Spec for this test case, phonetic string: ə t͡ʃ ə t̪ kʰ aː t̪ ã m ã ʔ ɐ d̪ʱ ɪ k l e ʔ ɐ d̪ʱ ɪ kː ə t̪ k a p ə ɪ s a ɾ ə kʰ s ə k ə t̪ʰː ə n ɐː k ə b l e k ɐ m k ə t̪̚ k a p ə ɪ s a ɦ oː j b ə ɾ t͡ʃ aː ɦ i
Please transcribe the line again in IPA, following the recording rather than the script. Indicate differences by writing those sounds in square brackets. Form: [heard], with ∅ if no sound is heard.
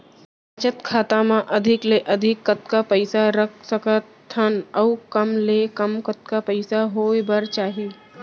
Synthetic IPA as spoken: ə t͡ʃ ə t̪ kʰ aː t̪ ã m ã ʔ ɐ d̪ʱ ɪ k l e ʔ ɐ d̪ʱ ɪ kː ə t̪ k a p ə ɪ s a ɾ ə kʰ s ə k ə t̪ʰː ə n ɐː k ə [m] l e k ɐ m k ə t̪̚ k a p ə ɪ s a ɦ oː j b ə ɾ t͡ʃ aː ɦ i